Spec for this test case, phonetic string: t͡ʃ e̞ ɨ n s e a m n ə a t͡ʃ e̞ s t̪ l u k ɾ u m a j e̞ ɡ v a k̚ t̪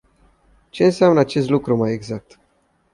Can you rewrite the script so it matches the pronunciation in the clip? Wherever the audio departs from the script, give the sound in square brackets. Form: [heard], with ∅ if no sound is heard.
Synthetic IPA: t͡ʃ e̞ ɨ n s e a m n ə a t͡ʃ e̞ s t̪ l u k ɾ u m a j e̞ ɡ [z] a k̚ t̪